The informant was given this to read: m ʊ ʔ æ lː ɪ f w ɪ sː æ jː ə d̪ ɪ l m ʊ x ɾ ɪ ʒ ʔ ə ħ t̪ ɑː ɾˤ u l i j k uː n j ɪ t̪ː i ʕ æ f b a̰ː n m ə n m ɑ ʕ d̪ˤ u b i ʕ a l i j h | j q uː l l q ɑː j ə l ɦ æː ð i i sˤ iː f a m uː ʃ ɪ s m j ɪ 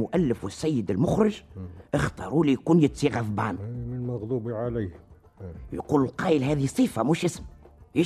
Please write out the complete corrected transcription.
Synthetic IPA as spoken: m ʊ ʔ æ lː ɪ f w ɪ sː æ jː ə d̪ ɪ l m ʊ x ɾ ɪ ʒ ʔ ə x t̪ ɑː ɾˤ u l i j k uː n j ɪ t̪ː i ɣ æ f b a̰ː n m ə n m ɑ ɣ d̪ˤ u b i ʕ a l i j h | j q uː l l q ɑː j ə l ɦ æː ð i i sˤ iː f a m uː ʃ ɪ s m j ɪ